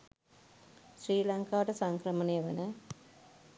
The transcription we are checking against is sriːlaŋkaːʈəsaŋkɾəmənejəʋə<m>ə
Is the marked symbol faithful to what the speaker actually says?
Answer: no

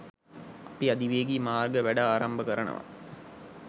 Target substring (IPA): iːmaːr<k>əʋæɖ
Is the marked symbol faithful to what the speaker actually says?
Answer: no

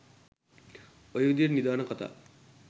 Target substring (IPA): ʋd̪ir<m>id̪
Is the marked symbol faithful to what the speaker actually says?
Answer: no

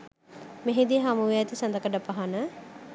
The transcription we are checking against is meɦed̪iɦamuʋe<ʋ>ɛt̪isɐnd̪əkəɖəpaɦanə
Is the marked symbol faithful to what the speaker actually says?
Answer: no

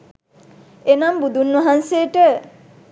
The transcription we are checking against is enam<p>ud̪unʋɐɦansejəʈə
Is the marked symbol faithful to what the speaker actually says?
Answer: no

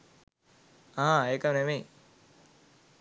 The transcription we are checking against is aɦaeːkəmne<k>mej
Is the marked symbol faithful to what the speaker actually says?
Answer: no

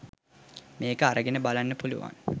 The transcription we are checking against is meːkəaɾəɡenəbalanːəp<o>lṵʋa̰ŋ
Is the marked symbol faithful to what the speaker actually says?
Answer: no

